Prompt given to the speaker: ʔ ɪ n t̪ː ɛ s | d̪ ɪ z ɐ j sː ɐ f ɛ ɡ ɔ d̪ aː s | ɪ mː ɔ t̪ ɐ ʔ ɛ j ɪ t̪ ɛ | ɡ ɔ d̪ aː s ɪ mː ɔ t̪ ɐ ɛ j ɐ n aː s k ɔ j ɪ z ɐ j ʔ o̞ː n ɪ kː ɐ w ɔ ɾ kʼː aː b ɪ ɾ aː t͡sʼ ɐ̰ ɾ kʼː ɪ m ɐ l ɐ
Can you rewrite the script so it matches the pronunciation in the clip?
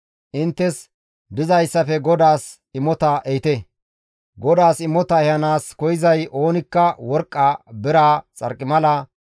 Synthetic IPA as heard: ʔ ɪ n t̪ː ɛ s | d̪ ɪ z ɐ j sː ɐ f ɛ ɡ ɔ d̪ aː s | ɪ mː ɔ t̪ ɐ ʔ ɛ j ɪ t̪ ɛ | ɡ ɔ d̪ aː s ɪ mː ɔ t̪ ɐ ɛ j ɐ n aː s k ɔ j ɪ z ɐ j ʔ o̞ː n ɪ kː ɐ w ɔ ɾ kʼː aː b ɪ ɾ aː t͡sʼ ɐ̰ ɾ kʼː ɪ m ɐ l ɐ